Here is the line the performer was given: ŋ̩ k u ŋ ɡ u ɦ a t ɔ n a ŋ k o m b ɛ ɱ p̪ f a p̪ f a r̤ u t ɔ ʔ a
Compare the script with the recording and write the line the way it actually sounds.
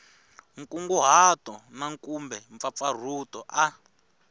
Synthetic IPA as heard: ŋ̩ k u ŋ ɡ u ɦ a t ɔ n a ŋ k u m b ɛ ɱ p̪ f a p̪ f a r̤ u t ɔ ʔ a